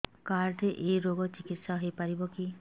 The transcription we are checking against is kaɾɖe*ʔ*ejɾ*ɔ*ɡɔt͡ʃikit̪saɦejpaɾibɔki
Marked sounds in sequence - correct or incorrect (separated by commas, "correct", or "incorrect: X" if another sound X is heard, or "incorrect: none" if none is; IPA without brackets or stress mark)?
correct, incorrect: o